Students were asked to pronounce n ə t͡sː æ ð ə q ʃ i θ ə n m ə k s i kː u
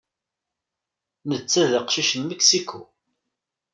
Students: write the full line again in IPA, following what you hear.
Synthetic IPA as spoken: n ə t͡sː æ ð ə q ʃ i ʃ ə n m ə k s i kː u